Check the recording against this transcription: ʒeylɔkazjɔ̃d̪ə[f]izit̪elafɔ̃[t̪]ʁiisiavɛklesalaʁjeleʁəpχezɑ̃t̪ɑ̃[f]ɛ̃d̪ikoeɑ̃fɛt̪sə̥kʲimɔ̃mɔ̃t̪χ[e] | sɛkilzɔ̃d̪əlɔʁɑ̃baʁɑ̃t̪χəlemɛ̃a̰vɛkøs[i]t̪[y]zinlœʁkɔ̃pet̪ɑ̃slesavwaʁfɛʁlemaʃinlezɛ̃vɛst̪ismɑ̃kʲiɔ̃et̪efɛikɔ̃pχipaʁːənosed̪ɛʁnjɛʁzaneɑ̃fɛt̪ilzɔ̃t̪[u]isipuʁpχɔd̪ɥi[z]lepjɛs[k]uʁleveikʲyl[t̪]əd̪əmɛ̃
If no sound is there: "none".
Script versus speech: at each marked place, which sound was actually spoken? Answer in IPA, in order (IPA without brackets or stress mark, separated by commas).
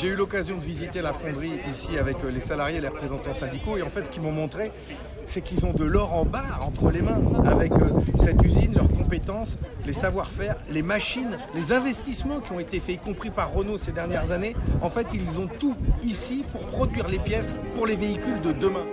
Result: v, d̪, s, e, ɛ, y, u, ʁ, p, d̪